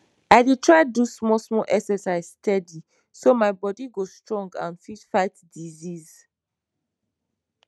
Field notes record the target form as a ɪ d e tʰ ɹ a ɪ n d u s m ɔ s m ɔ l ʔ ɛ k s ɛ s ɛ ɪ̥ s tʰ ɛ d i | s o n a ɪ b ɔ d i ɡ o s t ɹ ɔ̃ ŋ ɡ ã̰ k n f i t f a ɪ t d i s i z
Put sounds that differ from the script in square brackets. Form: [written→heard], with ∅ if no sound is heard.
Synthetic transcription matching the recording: a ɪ d e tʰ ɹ a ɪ [n→∅] d u s m ɔ s m ɔ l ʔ ɛ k s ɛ s [ɛ→a] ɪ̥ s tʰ ɛ d i | s o [n→m] a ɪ b ɔ d i ɡ o s t ɹ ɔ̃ ŋ ɡ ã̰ [k→∅] n f i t f a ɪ t d i [s→z] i z